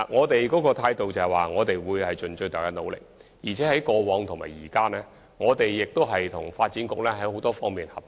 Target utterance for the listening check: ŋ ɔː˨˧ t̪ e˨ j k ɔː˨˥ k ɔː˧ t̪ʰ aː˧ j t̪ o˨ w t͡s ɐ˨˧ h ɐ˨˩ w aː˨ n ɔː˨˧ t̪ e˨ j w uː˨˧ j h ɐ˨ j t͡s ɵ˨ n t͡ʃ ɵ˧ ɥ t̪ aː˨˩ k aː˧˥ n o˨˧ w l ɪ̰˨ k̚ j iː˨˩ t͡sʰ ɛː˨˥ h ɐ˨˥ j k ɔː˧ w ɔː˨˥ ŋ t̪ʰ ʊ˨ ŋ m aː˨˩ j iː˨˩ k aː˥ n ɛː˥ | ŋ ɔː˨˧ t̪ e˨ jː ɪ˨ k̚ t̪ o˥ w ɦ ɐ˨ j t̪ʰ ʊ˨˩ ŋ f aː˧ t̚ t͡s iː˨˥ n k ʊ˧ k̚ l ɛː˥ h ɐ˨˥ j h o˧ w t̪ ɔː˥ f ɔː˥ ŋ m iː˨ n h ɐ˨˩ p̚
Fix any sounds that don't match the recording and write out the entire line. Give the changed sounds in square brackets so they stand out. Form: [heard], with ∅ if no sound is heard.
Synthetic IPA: ŋ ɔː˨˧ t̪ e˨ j k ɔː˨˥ k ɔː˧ t̪ʰ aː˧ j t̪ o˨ w t͡s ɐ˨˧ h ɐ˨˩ w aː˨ [ŋ] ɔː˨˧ t̪ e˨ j w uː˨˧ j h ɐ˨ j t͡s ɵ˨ n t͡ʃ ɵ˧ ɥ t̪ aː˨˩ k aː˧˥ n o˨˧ w l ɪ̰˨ k̚ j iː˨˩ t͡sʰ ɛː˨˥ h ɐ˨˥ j k ɔː˧ w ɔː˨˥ ŋ t̪ʰ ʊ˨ ŋ m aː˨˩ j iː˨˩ k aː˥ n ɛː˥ | ŋ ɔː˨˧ t̪ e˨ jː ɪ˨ k̚ t̪ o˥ w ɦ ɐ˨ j t̪ʰ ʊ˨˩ ŋ f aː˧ t̚ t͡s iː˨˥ n k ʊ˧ k̚ l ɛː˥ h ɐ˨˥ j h [o˨˥] w t̪ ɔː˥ f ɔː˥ ŋ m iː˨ n h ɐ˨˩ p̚